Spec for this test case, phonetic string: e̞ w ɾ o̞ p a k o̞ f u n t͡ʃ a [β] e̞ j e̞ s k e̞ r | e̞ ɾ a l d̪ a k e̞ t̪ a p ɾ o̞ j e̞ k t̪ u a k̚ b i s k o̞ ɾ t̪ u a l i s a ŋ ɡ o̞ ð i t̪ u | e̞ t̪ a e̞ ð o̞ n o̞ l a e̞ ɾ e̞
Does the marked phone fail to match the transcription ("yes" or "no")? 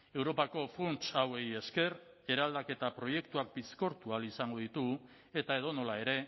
yes